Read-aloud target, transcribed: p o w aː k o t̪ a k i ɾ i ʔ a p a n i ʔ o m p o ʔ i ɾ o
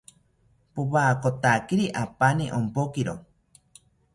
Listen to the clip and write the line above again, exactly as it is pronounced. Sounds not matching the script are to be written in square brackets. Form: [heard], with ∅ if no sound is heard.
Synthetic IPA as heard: p o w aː k o t̪ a k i ɾ i ʔ a p a n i ʔ o m p o [k] i ɾ o